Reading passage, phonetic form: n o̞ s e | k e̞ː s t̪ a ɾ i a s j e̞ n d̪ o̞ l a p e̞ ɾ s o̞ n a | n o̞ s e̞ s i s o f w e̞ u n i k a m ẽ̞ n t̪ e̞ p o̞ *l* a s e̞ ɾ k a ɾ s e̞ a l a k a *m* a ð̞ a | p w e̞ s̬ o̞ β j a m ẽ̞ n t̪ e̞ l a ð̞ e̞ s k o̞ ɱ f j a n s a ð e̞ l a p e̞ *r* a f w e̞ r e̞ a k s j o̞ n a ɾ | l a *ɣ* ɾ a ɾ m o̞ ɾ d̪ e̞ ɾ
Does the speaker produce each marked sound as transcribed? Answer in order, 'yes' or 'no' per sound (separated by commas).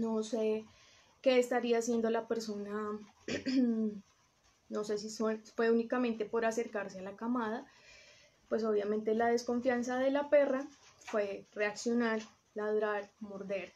no, yes, yes, no